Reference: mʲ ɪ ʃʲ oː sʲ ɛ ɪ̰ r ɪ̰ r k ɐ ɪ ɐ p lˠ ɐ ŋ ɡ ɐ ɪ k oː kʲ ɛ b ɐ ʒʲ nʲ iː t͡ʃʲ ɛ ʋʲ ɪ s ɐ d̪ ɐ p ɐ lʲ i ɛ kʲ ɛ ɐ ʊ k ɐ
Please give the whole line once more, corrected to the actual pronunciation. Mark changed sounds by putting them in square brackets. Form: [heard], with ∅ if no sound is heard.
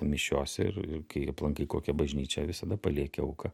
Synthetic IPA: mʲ ɪ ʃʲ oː sʲ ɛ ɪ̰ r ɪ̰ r k ɐ ɪ ɐ p lˠ ɐ ŋ [k] ɐ ɪ k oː kʲ ɛ b ɐ ʒʲ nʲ iː t͡ʃʲ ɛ ʋʲ ɪ s ɐ d̪ ɐ p ɐ lʲ i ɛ kʲ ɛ ɐ ʊ k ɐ